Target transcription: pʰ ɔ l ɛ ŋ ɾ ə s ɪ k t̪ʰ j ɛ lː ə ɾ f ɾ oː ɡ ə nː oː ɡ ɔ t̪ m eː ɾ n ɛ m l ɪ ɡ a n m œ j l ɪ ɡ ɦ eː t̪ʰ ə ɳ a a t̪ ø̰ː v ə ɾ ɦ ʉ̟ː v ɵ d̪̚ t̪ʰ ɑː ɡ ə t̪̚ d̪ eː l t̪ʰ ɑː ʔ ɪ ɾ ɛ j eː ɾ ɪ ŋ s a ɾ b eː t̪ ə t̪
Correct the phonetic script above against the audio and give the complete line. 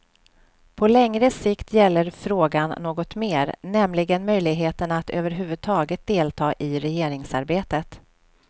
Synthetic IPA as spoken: pʰ ɔ l ɛ ŋ ɾ ə s ɪ k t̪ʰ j ɛ lː ə ɾ f ɾ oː ɡ a nː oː ɡ ɔ t̪ m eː ɾ n ɛ m l ɪ ɡ ə n m œ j l ɪ ɡ ɦ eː t̪ ə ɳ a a t̪ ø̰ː v ə ɾ ɦ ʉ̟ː v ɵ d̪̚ t̪ʰ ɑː ɡ ə t̪̚ d̪ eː l t̪ʰ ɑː ʔ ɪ ɾ ɛ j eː ɾ ɪ ŋ s a ɾ b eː t̪ ə t̪